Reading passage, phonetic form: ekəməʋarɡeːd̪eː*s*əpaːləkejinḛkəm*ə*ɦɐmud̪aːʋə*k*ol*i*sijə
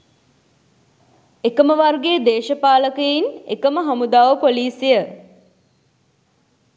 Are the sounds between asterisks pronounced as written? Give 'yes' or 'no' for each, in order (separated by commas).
no, yes, no, no